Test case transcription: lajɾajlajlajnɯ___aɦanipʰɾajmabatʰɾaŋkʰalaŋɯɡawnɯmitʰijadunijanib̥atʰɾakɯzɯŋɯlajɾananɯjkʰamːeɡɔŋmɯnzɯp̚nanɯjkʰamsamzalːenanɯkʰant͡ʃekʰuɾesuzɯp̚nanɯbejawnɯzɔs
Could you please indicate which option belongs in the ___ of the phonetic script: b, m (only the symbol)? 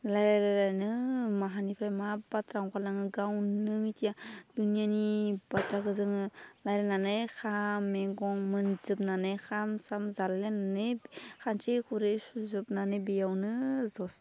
m